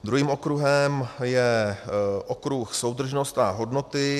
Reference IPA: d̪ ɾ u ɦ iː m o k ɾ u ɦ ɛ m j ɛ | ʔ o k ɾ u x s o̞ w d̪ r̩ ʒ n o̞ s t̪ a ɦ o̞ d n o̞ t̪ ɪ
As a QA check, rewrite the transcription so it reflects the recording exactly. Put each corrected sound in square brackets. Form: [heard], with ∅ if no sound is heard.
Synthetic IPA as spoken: d̪ ɾ u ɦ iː m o k ɾ u ɦ ɛ m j ɛ | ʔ o k ɾ u x s o̞ w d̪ r̩ ʒ n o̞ s t̪ a ɦ o̞ d n o̞ t̪ ɪ